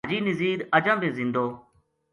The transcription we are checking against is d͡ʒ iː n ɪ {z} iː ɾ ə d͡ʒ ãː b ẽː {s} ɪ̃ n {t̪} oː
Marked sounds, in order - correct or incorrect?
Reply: correct, incorrect: z, incorrect: d̪

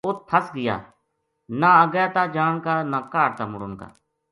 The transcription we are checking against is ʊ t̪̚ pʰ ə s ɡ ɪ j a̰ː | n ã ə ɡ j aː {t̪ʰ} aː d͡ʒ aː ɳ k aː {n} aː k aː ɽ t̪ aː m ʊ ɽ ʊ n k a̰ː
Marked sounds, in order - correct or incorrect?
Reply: incorrect: t̪, correct

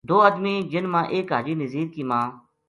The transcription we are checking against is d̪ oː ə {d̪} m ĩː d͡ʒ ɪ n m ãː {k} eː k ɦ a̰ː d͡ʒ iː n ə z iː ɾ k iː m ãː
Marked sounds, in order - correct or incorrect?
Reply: correct, incorrect: ʔ

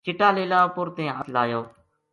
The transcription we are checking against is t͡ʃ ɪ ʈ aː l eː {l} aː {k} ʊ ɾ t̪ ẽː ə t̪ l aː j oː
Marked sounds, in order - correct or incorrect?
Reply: correct, incorrect: p

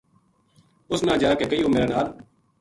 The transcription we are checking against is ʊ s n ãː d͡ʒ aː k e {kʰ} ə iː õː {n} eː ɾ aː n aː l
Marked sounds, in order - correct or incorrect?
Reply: incorrect: k, incorrect: m

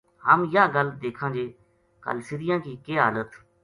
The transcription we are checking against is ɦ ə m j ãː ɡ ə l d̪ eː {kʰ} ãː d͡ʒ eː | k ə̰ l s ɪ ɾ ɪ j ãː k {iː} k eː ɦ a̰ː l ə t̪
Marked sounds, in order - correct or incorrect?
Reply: correct, correct

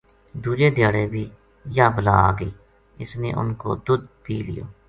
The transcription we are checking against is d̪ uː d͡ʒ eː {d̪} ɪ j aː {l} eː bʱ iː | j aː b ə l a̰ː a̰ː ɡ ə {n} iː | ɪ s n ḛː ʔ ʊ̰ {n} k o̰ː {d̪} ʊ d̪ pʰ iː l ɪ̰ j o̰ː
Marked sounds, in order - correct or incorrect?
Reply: correct, incorrect: ɽ, incorrect: none, correct, correct

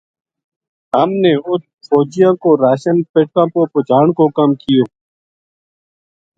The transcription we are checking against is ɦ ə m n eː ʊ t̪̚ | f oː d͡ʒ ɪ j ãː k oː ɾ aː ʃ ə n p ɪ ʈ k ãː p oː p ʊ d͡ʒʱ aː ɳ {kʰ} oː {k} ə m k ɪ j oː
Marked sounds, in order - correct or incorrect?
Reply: incorrect: k, correct

